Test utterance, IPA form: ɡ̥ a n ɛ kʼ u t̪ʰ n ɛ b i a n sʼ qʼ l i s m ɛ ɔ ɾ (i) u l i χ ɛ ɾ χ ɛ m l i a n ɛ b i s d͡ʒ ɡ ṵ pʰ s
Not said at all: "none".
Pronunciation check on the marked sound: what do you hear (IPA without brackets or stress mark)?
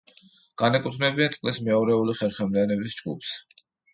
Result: ɛ